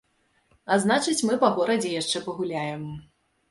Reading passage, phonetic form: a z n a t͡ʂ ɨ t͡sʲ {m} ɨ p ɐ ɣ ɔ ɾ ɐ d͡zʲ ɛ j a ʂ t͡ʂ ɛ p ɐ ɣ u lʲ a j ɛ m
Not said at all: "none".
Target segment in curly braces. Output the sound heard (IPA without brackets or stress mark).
m